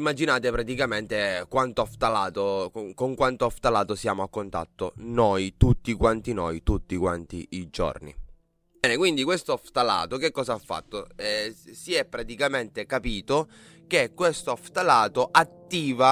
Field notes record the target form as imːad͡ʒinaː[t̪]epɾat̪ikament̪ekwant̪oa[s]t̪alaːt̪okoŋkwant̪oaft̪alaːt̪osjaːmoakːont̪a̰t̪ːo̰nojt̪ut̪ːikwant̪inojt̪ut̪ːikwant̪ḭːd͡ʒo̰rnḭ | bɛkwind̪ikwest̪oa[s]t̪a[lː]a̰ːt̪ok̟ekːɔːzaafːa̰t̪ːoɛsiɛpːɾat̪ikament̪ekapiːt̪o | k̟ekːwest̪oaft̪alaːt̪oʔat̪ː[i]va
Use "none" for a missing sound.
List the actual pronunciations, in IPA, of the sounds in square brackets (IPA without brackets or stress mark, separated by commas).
t̪, f, f, l, iː